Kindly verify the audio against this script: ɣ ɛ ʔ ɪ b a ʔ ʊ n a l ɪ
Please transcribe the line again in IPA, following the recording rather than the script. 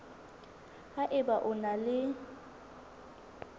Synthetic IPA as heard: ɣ a ʔ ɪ b a ʔ ʊ n a l ɪ